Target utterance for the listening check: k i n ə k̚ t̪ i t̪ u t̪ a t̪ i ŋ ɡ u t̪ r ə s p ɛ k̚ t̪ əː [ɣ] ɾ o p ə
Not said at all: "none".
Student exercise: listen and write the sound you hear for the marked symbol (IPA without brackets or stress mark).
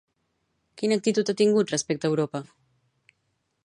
w